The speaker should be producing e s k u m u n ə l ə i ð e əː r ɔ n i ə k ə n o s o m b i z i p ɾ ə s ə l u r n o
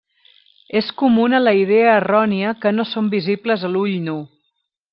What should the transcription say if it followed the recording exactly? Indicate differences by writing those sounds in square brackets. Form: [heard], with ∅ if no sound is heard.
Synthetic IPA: e s k u m u n ə l ə i ð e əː r ɔ n i ə k ə n o s o m b i z i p [l] ə [z] ə l u [ʎ] n [u]